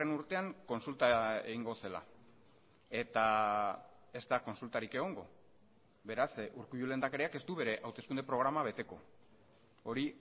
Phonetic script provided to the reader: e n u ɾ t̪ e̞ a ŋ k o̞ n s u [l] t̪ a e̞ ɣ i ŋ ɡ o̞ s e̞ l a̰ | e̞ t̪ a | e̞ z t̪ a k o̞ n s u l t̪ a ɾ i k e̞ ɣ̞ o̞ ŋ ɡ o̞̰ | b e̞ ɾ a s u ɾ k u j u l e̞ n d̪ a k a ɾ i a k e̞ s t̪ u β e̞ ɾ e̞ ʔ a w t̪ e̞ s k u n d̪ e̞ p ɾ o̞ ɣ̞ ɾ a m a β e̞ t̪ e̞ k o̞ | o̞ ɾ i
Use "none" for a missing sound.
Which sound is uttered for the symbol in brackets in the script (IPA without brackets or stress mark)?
l